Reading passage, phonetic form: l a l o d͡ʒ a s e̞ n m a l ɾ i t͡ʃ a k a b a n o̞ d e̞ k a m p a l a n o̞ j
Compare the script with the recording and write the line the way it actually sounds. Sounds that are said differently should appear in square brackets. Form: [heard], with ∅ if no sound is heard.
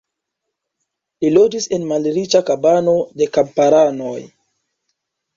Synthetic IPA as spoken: l [i] l o d͡ʒ [i] s e̞ n m a l ɾ i t͡ʃ a k a b a n o̞ d e̞ k a m p a [ɾ] a n o̞ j